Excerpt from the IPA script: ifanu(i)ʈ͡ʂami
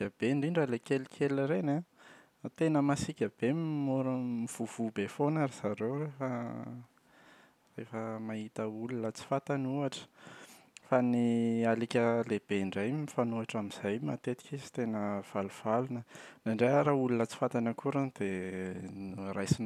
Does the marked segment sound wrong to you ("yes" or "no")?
yes